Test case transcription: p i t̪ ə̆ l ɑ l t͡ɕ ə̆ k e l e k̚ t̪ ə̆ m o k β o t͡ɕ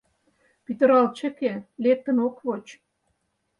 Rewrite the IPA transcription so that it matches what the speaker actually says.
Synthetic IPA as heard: p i t̪ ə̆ ɾ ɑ l t͡ɕ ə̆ k e l e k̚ t̪ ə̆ n o k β o t͡ɕ